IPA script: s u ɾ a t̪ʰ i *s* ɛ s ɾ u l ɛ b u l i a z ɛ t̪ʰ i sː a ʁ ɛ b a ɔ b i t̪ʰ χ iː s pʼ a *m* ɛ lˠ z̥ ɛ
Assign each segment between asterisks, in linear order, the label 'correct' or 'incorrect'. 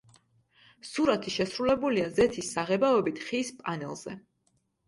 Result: incorrect, incorrect

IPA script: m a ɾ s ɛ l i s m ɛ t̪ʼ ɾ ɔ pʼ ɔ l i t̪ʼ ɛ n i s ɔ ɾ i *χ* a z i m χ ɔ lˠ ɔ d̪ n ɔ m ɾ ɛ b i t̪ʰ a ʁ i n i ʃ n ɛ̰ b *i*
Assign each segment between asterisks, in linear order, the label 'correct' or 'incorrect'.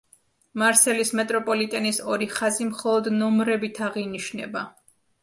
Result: correct, incorrect

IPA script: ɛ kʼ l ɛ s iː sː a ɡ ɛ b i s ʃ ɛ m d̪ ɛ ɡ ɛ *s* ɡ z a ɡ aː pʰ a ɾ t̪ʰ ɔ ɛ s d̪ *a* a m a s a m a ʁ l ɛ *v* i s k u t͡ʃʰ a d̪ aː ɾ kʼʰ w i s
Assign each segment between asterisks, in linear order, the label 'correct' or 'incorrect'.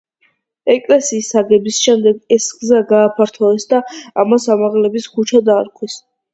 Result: correct, correct, incorrect

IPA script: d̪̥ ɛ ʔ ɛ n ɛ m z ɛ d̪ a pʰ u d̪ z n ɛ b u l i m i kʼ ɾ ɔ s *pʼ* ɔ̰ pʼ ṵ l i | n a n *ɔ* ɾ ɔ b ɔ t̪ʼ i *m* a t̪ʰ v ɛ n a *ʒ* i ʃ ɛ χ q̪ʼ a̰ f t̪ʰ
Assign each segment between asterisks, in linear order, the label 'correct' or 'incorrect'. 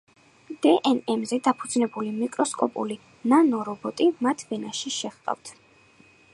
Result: incorrect, correct, correct, incorrect

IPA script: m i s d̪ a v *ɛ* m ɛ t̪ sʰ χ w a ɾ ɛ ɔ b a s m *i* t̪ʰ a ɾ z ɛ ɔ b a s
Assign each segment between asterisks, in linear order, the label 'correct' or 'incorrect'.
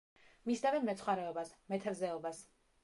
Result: correct, incorrect

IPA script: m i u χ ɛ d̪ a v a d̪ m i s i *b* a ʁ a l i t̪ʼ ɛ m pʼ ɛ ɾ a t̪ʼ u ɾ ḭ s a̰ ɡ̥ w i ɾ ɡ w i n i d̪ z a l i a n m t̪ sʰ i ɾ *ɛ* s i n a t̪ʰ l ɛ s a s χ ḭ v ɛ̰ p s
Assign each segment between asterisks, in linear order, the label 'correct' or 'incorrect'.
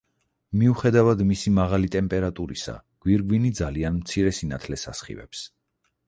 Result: incorrect, correct

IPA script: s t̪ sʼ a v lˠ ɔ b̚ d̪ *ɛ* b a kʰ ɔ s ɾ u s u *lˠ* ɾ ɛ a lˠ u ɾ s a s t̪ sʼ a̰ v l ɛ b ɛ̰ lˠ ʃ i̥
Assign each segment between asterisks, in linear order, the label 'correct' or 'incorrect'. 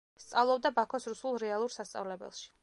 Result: incorrect, correct

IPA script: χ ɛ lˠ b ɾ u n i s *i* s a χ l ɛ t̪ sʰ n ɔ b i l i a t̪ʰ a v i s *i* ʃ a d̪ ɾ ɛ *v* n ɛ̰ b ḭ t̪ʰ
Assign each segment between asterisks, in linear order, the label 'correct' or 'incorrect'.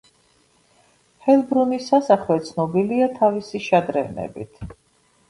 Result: incorrect, correct, correct

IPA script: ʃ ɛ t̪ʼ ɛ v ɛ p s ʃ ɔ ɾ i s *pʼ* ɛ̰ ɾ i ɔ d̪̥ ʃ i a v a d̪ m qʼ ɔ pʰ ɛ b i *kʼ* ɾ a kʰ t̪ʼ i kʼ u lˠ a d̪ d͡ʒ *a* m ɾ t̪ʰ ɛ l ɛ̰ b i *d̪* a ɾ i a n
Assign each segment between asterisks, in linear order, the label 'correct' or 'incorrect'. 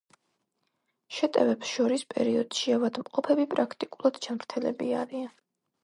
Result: correct, incorrect, correct, incorrect

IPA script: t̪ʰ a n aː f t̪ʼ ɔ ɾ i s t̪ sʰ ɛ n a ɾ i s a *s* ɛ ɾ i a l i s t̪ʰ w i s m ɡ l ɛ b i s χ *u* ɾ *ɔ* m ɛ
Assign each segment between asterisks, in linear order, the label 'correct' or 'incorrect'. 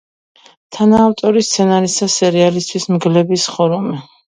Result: correct, incorrect, incorrect

